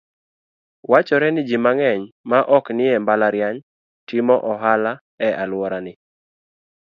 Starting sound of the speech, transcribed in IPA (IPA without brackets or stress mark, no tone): w